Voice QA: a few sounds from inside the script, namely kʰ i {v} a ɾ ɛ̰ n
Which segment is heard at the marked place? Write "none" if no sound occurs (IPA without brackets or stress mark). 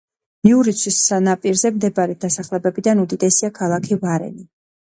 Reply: v